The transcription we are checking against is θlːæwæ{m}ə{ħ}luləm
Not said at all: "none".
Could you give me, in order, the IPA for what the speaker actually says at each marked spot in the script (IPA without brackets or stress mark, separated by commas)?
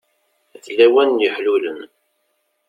n, ħ